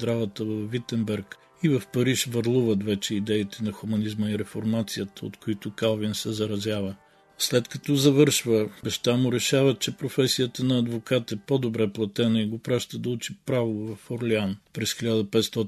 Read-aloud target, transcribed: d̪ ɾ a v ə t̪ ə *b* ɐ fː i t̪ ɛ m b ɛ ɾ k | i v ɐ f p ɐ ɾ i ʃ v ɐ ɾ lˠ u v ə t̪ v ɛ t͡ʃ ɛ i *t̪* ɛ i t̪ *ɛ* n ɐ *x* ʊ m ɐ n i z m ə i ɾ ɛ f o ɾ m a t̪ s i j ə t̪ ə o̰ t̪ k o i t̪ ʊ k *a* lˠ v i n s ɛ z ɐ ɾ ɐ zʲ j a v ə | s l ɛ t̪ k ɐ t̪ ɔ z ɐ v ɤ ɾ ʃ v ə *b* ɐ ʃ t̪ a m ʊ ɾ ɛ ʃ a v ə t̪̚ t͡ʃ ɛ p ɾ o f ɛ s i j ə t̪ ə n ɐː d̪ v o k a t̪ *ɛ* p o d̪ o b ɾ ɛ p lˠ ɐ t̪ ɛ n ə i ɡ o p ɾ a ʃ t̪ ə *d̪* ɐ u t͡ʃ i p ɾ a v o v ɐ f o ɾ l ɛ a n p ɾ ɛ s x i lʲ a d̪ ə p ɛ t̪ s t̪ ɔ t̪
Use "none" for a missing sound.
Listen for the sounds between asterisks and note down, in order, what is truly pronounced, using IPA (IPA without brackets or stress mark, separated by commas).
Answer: v, d̪, ɛ, x, a, b, ɛ, d̪